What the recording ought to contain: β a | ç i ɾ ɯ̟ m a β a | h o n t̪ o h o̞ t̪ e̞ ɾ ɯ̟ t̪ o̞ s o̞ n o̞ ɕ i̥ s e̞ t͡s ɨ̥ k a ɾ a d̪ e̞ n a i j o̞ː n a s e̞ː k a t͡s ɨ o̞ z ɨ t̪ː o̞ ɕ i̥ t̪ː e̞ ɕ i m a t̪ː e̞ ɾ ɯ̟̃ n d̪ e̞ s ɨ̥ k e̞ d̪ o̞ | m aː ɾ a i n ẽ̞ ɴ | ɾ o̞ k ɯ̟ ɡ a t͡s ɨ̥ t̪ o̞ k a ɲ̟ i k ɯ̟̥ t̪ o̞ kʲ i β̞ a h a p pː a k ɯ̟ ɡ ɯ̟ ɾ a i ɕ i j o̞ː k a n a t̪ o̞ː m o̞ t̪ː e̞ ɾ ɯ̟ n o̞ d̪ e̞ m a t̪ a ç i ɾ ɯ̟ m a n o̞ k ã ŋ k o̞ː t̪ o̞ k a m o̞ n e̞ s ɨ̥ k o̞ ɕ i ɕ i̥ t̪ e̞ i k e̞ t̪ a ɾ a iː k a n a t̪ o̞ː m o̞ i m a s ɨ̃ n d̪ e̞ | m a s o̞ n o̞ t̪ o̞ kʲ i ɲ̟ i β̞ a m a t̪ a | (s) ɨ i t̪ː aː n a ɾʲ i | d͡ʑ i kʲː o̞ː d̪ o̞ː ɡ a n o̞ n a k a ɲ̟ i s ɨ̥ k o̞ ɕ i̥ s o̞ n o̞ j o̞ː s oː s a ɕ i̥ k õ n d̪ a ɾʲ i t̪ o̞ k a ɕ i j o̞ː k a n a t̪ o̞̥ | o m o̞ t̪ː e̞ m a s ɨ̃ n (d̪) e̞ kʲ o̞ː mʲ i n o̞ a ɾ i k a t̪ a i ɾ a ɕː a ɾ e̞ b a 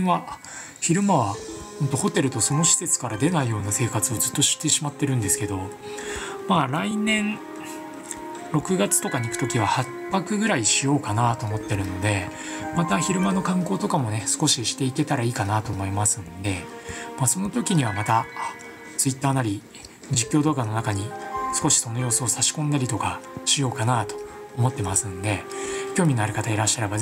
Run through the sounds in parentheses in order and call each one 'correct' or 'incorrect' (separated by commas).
incorrect, correct